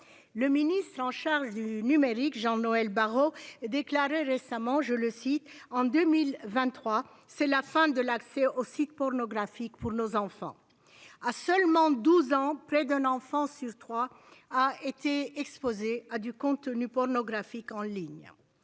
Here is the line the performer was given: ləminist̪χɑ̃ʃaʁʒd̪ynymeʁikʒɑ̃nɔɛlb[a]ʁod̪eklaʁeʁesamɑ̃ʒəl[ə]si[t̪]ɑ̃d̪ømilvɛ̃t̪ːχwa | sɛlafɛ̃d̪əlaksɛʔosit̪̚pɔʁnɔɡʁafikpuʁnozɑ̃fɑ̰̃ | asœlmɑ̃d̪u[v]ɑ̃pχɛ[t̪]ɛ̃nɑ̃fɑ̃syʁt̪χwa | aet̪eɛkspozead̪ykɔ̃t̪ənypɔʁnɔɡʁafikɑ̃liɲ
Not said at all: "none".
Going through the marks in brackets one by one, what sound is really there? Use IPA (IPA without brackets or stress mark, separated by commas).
a, ə, t̪, z, d̪